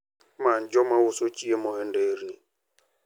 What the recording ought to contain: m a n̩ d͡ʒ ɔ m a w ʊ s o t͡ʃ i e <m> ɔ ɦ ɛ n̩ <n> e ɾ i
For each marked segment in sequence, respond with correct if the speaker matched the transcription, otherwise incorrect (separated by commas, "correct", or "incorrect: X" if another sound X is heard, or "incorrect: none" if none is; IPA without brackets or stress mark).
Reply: correct, incorrect: d